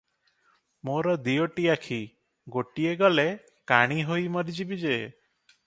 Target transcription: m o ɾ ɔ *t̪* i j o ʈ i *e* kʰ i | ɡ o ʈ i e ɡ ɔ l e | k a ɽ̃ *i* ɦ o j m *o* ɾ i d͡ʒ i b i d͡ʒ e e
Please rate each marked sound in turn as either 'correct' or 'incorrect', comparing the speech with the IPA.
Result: incorrect: d̪, incorrect: a, correct, incorrect: ɔ

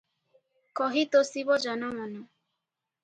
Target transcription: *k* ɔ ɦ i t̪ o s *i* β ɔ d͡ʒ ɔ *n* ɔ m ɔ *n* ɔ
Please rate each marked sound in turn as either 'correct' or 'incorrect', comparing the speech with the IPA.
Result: correct, correct, correct, correct

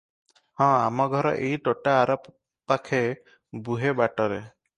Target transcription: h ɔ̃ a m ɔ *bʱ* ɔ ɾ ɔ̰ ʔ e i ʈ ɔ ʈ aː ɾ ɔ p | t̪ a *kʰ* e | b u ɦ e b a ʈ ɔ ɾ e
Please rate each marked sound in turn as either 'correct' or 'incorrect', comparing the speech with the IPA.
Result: incorrect: ɡʱ, correct

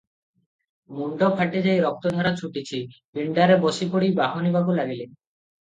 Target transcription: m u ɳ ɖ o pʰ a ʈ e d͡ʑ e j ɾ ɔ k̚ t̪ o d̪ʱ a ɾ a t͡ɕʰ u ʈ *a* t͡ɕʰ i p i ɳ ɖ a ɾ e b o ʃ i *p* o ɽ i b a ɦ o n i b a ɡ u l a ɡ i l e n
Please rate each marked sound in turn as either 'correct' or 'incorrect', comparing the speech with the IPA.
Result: incorrect: i, correct

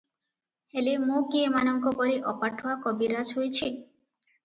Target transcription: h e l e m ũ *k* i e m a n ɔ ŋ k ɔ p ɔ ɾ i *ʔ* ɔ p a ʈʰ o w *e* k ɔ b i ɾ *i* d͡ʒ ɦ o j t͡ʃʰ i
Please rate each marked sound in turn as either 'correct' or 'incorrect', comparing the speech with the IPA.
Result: correct, correct, incorrect: a, incorrect: a

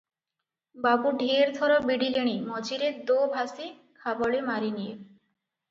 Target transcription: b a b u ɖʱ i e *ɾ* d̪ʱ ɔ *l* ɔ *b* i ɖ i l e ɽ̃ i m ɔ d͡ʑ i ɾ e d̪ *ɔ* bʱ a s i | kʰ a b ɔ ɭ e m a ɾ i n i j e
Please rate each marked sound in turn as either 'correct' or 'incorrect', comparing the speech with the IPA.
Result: correct, incorrect: ɾ, correct, incorrect: o

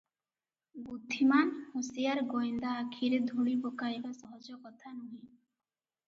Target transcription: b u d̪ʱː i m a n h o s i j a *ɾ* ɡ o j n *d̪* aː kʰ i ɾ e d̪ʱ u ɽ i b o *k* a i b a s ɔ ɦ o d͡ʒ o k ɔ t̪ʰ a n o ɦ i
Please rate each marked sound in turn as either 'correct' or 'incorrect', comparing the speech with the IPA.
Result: correct, correct, correct

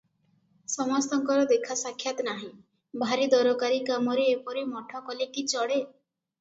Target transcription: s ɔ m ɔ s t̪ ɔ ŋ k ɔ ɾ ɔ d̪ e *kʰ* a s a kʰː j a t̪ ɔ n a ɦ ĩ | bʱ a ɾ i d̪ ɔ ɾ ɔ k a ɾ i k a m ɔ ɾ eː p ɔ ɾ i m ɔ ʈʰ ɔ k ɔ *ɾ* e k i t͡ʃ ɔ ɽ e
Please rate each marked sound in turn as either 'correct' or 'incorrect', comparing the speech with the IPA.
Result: correct, incorrect: l

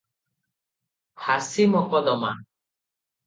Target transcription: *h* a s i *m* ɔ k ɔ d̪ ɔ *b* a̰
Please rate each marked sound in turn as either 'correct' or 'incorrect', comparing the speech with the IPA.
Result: correct, correct, incorrect: m

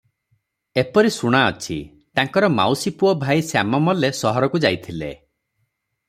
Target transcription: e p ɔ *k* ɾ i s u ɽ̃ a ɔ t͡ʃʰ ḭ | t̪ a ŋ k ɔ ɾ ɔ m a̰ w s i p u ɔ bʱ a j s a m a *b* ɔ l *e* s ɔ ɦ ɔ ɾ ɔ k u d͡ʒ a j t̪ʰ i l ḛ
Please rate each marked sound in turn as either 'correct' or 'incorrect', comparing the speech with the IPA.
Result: incorrect: none, incorrect: m, correct

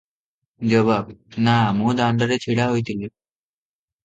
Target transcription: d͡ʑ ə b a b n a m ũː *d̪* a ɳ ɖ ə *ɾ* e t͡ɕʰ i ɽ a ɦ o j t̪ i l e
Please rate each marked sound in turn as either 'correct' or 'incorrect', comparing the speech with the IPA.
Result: correct, correct

